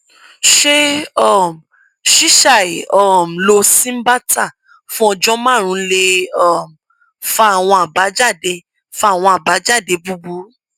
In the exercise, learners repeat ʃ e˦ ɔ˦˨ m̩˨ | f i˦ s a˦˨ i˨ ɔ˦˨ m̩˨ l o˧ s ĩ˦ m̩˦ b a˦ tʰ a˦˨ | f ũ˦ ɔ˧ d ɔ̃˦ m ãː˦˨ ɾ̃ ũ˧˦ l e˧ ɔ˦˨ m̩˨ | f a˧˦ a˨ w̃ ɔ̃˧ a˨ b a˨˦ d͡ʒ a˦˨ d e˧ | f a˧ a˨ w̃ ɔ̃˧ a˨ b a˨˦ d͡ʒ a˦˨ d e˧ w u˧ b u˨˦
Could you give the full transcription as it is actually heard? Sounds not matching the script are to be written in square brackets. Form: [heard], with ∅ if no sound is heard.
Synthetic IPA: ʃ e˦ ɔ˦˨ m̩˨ | [ʃ] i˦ [ʃ] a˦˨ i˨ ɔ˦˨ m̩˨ l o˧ s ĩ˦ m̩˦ b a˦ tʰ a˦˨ | f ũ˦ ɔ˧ [d͡ʒ] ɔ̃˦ m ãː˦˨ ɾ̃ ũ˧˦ l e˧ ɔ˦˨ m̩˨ | f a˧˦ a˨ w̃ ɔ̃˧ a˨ b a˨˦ d͡ʒ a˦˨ d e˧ | f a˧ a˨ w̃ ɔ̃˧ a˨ b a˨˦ d͡ʒ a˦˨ d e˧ [b] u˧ b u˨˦